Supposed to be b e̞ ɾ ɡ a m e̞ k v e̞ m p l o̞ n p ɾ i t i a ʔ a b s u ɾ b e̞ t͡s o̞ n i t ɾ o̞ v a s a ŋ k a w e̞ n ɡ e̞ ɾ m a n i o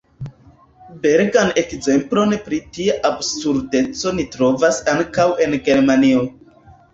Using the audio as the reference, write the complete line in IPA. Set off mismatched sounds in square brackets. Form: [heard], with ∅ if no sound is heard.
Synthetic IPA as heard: b e̞ ɾ ɡ a [n] e̞ k [z] e̞ m p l o̞ n p ɾ i t i a ʔ a b s u ɾ [d] e̞ t͡s o̞ n i t ɾ o̞ v a s a ŋ k a w e̞ n ɡ e̞ ɾ m a n i o